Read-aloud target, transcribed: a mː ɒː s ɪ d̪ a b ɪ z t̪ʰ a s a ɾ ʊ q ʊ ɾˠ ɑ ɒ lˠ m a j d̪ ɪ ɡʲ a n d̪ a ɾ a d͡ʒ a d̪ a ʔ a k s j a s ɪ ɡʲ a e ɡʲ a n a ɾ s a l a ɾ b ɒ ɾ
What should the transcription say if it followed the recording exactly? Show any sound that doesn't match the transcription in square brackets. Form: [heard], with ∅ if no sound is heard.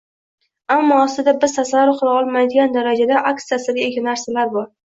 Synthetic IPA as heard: a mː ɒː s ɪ d̪ a b ɪ z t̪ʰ a s a ɾ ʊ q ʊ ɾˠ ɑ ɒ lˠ m a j d̪ ɪ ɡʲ a n d̪ a ɾ a d͡ʒ a d̪ a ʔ a k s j a s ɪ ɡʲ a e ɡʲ a n a ɾ s a l a ɾ b ɒ ɾ